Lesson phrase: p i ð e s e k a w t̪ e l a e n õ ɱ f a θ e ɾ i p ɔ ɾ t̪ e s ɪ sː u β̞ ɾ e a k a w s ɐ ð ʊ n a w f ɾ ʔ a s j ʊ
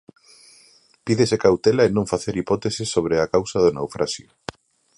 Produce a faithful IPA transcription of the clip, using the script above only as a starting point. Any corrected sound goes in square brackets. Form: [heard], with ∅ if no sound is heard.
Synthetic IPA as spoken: p i ð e s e k a w t̪ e l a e n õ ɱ f a θ e ɾ i p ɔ [∅] t̪ e s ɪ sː [o] β̞ ɾ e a k a w s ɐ ð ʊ n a w f ɾ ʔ a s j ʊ